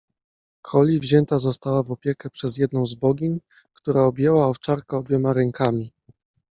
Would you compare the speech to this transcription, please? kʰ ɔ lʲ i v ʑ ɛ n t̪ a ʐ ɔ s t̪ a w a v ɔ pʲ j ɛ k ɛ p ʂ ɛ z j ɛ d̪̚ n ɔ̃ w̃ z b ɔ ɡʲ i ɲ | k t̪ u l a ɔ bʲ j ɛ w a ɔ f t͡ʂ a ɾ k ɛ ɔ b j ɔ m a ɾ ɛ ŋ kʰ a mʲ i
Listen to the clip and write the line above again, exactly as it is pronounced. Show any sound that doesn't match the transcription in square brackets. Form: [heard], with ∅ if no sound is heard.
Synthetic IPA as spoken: kʰ ɔ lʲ i v ʑ ɛ n t̪ a [z] ɔ s t̪ a w a v ɔ pʲ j ɛ k ɛ p ʂ ɛ z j ɛ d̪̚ n ɔ̃ w̃ z b ɔ ɡʲ i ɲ | k t̪ u [ɾ] a ɔ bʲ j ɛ w a ɔ f t͡ʂ a ɾ k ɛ ɔ b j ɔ m a ɾ ɛ ŋ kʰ a mʲ i